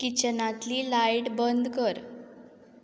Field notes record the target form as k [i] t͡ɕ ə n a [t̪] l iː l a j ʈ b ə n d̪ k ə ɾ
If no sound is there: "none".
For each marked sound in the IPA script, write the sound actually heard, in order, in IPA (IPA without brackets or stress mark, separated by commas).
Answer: i, t̪